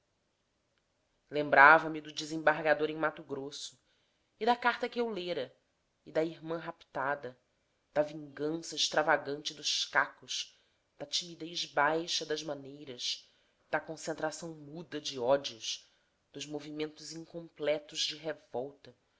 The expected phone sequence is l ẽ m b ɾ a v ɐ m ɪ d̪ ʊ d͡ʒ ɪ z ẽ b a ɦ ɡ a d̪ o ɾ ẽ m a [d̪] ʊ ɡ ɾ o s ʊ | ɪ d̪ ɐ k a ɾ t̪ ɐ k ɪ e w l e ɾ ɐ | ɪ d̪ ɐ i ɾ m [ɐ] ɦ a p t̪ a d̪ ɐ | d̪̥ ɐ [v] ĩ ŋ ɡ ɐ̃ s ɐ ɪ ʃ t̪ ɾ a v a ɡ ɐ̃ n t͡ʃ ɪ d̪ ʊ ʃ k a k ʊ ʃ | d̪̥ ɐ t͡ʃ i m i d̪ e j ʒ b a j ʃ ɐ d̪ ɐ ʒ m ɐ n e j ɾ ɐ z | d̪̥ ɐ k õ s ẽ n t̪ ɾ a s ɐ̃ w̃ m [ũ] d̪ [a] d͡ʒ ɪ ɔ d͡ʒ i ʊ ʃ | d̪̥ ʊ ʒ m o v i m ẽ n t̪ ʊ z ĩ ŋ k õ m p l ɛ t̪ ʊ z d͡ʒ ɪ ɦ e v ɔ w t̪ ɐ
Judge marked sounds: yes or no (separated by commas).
no, no, yes, no, no